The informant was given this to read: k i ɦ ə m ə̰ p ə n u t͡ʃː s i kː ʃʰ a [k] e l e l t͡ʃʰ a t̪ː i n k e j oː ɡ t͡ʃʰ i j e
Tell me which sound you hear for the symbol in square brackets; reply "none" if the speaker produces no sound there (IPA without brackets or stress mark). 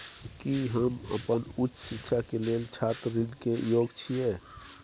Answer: k